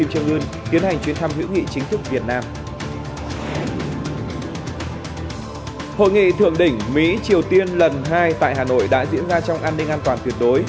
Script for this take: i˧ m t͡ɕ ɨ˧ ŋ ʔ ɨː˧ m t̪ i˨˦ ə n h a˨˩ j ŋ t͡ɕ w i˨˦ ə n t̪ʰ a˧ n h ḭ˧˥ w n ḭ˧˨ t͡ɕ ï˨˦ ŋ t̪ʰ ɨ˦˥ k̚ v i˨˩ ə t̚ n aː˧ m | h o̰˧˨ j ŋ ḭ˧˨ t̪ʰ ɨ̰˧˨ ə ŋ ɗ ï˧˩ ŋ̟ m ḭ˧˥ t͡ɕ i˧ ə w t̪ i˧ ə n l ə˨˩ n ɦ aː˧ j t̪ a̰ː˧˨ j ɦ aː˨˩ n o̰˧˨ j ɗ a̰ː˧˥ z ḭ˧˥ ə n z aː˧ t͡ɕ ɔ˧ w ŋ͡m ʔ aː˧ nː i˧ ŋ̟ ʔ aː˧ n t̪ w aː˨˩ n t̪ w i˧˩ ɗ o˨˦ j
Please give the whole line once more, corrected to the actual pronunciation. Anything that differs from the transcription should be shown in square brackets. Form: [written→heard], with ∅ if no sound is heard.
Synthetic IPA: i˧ m t͡ɕ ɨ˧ ŋ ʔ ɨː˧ [m→n] t̪ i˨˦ ə n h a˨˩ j ŋ t͡ɕ w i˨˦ ə n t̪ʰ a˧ [n→m] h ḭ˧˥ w [n→ŋ] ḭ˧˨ t͡ɕ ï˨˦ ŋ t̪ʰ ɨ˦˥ k̚ v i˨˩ ə t̚ n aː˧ m | h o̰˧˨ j ŋ ḭ˧˨ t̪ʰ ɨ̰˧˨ ə ŋ ɗ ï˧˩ ŋ̟ m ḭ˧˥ t͡ɕ [i˧→i˨˩] ə w t̪ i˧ ə n l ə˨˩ n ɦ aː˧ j t̪ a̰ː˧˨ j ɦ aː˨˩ n o̰˧˨ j ɗ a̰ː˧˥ z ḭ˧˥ ə n z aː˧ t͡ɕ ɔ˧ w ŋ͡m ʔ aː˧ nː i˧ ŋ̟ ʔ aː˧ n t̪ w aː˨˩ n t̪ w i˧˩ ɗ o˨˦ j